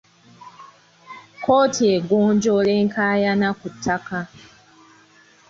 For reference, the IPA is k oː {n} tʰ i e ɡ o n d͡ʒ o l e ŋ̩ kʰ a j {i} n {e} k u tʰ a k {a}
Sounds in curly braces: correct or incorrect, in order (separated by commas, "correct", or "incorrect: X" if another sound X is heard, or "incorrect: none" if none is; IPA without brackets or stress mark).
incorrect: none, incorrect: a, incorrect: a, correct